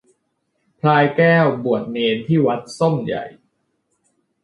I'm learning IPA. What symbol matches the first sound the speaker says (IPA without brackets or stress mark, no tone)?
pʰ